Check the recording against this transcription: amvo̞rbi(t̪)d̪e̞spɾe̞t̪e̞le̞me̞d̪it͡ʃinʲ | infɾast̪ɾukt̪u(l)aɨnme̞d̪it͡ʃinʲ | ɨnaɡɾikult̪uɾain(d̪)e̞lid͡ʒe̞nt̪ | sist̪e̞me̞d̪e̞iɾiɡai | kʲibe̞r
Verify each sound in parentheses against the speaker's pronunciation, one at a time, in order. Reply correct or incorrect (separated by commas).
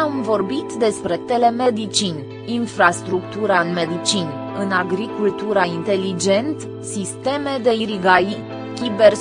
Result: correct, incorrect, incorrect